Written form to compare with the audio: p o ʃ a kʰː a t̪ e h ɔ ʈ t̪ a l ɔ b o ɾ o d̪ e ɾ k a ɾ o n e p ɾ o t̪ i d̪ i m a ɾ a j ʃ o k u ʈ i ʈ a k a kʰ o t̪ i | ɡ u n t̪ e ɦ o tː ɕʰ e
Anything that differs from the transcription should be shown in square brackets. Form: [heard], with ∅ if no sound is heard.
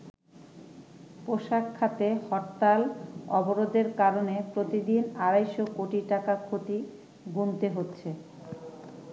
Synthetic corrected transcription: p o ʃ a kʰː a t̪ e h ɔ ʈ t̪ a l ɔ b o ɾ o d̪ e ɾ k a ɾ o n e p ɾ o t̪ i d̪ i [n] a ɾ a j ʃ o k [o] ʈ i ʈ a k a kʰ o t̪ i | ɡ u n t̪ e ɦ o tː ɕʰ e